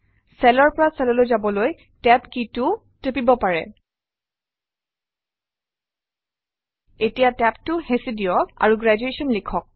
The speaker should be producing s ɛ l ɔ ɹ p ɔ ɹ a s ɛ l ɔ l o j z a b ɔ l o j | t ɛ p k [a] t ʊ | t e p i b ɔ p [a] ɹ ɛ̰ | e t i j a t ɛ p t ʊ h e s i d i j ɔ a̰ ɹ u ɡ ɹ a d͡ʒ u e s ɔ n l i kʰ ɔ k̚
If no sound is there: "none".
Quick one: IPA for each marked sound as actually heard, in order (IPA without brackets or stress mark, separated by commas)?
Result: i, a